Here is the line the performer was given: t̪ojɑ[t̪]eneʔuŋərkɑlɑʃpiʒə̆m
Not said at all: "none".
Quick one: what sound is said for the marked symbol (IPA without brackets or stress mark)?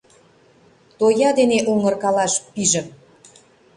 d̪